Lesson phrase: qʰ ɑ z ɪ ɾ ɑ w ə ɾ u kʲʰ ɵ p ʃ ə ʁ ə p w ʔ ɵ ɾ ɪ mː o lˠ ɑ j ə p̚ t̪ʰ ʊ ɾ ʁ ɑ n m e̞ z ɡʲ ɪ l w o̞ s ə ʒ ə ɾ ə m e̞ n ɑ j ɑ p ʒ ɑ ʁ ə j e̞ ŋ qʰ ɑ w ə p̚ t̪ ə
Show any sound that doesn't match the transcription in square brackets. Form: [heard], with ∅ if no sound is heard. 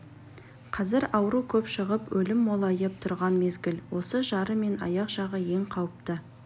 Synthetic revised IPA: qʰ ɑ z ɪ ɾ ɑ w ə ɾ u kʲʰ ɵ p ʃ ə ʁ ə p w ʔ ɵ [l] ɪ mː o lˠ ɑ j ə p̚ t̪ʰ ʊ ɾ ʁ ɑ n m e̞ z ɡʲ ɪ l w o̞ s ə ʒ [ɑ] ɾ ə m e̞ n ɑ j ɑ [q] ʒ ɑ ʁ ə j e̞ ŋ qʰ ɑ w ə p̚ t̪ ə